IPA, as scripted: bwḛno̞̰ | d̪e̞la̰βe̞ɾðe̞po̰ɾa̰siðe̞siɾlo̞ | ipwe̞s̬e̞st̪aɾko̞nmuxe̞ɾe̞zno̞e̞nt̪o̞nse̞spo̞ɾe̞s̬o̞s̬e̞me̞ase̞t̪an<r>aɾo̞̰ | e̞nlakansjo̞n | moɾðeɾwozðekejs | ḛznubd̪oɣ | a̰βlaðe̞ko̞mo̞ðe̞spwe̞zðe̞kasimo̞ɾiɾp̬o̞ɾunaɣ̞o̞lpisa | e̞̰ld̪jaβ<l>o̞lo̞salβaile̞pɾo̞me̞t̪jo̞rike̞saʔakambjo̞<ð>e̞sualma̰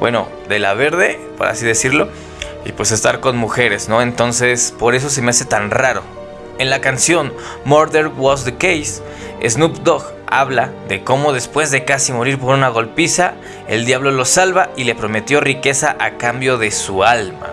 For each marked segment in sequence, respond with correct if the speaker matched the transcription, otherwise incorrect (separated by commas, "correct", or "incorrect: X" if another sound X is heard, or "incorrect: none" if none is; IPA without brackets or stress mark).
correct, correct, correct